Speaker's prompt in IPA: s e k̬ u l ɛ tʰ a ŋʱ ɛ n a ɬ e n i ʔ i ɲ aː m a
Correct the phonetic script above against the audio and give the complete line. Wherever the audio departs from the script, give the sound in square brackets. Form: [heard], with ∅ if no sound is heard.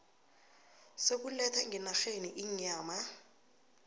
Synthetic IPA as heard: s e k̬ u l ɛ tʰ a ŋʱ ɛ n a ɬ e n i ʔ i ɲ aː m a